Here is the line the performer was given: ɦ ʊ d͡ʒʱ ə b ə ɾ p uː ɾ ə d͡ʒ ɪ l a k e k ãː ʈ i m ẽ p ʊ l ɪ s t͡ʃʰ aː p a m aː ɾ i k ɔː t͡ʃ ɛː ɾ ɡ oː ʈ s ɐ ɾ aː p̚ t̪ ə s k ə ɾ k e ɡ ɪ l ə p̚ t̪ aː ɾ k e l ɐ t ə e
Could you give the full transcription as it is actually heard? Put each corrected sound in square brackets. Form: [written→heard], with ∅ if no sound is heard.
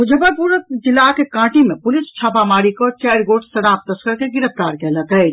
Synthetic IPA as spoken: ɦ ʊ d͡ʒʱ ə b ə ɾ p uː ɾ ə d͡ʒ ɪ l a k e k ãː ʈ i m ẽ p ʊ l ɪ s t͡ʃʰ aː p a m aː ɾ i k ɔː t͡ʃ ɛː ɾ ɡ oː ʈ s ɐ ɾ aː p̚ t̪ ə s k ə ɾ k e ɡ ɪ [l→ɾ] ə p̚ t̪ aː ɾ k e l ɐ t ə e